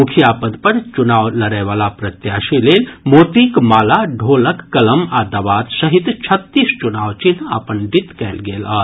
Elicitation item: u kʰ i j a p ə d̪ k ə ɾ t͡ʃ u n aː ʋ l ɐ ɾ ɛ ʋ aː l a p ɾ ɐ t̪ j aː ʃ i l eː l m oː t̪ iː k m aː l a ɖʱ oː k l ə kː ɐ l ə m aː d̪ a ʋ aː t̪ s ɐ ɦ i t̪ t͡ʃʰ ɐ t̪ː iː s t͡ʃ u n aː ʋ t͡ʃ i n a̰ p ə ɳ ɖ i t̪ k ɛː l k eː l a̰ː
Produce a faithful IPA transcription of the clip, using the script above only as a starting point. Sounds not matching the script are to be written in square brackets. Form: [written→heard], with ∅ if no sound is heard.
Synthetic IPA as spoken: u kʰ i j a p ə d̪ [k→p] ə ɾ t͡ʃ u n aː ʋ l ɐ ɾ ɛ ʋ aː l a p ɾ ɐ t̪ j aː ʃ i l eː l m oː t̪ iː k m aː l a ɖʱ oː [k→∅] l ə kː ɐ l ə m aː d̪ a ʋ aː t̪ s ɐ ɦ i t̪ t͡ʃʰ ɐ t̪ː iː s t͡ʃ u n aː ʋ t͡ʃ i n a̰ p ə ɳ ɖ i t̪ k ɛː l [k→ɡ] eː l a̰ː

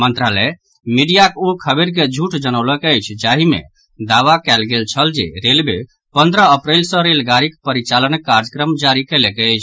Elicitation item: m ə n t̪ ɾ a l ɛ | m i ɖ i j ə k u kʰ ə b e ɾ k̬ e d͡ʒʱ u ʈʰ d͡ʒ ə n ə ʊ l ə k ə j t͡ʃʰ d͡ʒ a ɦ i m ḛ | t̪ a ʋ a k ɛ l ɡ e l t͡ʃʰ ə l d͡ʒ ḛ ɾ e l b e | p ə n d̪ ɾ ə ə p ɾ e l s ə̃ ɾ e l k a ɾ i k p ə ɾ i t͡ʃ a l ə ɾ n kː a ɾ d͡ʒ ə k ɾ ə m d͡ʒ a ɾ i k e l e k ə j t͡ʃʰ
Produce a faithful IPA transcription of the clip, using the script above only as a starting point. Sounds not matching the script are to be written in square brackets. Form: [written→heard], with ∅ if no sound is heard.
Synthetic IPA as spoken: m ə n t̪ ɾ a l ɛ | m i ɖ i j [ə→a] k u kʰ ə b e ɾ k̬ e d͡ʒʱ u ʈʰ d͡ʒ ə n ə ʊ l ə k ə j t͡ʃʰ d͡ʒ a ɦ i m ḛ | [t̪→d̪] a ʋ a k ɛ l ɡ e l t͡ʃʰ ə l d͡ʒ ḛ ɾ e l b e | p ə n d̪ ɾ ə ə p ɾ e l s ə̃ ɾ e l [k→ɡ] a ɾ i k p ə ɾ i t͡ʃ a l ə [ɾ→∅] n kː a ɾ d͡ʒ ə k ɾ ə m d͡ʒ a ɾ i k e l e k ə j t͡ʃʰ

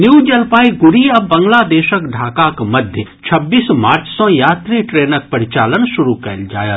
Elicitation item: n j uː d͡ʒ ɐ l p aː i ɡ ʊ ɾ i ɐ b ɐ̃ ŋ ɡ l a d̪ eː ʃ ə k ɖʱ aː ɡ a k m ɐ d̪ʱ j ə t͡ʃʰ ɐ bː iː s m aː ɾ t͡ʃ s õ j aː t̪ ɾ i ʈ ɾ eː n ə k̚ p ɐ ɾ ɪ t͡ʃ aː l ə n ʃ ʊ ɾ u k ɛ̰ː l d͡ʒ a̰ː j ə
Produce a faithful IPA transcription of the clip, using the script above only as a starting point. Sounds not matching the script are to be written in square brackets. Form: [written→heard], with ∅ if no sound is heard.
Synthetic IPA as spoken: n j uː d͡ʒ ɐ l p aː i ɡ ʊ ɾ i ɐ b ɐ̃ ŋ ɡ l a d̪ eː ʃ ə k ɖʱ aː [ɡ→k] a k m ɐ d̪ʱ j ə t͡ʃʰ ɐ bː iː s m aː ɾ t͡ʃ s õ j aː t̪ ɾ i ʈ ɾ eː n ə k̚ p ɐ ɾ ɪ t͡ʃ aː l ə n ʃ ʊ ɾ u k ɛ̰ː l d͡ʒ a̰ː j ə

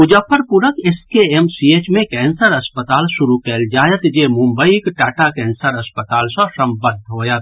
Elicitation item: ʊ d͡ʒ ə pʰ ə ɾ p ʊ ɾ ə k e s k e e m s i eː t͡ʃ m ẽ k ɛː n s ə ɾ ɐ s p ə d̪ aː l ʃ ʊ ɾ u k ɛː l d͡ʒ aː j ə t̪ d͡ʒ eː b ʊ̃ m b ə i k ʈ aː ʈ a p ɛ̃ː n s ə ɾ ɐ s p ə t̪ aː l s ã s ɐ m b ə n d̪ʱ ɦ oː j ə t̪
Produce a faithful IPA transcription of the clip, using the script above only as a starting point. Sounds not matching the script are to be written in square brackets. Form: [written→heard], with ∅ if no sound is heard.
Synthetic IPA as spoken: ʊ d͡ʒ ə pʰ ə ɾ p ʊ ɾ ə k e s k e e m s i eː t͡ʃ m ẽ k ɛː n s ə ɾ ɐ s p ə [d̪→t̪] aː l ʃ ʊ ɾ u k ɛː l d͡ʒ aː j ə t̪ d͡ʒ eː [b→m] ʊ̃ m b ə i k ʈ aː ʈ a [p→k] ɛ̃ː n s ə ɾ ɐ s p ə t̪ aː l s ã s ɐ m b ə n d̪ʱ ɦ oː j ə t̪

